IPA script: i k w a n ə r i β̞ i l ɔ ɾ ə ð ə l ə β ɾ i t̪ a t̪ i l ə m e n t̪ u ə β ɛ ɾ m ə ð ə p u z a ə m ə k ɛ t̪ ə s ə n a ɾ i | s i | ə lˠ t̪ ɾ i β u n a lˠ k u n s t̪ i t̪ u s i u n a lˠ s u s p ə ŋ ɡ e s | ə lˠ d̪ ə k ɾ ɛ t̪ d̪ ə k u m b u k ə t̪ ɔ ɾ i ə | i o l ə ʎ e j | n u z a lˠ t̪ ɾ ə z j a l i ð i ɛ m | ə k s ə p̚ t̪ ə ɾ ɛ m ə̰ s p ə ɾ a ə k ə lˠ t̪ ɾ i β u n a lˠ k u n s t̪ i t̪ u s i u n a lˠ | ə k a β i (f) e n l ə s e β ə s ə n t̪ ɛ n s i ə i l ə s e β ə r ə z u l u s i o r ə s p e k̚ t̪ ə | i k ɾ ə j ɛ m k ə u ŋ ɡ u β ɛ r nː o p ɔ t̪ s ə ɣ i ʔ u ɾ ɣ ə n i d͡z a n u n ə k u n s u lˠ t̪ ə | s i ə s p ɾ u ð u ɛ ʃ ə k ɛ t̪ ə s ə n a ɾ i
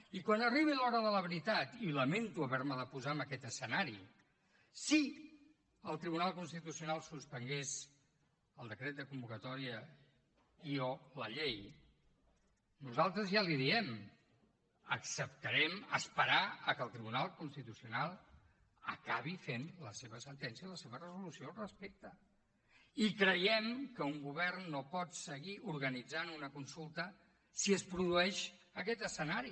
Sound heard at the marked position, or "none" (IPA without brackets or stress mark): f